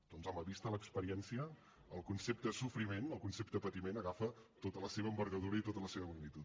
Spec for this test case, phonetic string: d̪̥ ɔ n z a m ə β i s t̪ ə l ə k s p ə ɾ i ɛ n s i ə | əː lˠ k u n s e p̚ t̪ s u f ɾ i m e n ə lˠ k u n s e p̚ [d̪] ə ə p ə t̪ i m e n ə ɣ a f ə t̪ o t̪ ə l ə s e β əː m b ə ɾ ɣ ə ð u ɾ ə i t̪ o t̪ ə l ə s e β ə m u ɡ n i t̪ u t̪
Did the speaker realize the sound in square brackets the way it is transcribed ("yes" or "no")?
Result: no